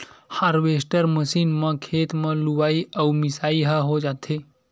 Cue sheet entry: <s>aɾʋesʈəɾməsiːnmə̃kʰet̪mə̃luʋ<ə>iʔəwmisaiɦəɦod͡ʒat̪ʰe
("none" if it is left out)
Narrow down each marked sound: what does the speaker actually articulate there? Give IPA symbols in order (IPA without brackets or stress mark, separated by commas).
h, a